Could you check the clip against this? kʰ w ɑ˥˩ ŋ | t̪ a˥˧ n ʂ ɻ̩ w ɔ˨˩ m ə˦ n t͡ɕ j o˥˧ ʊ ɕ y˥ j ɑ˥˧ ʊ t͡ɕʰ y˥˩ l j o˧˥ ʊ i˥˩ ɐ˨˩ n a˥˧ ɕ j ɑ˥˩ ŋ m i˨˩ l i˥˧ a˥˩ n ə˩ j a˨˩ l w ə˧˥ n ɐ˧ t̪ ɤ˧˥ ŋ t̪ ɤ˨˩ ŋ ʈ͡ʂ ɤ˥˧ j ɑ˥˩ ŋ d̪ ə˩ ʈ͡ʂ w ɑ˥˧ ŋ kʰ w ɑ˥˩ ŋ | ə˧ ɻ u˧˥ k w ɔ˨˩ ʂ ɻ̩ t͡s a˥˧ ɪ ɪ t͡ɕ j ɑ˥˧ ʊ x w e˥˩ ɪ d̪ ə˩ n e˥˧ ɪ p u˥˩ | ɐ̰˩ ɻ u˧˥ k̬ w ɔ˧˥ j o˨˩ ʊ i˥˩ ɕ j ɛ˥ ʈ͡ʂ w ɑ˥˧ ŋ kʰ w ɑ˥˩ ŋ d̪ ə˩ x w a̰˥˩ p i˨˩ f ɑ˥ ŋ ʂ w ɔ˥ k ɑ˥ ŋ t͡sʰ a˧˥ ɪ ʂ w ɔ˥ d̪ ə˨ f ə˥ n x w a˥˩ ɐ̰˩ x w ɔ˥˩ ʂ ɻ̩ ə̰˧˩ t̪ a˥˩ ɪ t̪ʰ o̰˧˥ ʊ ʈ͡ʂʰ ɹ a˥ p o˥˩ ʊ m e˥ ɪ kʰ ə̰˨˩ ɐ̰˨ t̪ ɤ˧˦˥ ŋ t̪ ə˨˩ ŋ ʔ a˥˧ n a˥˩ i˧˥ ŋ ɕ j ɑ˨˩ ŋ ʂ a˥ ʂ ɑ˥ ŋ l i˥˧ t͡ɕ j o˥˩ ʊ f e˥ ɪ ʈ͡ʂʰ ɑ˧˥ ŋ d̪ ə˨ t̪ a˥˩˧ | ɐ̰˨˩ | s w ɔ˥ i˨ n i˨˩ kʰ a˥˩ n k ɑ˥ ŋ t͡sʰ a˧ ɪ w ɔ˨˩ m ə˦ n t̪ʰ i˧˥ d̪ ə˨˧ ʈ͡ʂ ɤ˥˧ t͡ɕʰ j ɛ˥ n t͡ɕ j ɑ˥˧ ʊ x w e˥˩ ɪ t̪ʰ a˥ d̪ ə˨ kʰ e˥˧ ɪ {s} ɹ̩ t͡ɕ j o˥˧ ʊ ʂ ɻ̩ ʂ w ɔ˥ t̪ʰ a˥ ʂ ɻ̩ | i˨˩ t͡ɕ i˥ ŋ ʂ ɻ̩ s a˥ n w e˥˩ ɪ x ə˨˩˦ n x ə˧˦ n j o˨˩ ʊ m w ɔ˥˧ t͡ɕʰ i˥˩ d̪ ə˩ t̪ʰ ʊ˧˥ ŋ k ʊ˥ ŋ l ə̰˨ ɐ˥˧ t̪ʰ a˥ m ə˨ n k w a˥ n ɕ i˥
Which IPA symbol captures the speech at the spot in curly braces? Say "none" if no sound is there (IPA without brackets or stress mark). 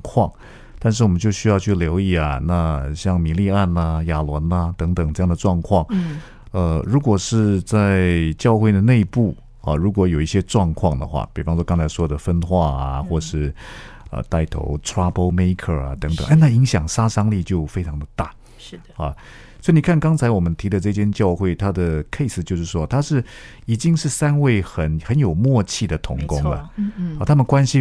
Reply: s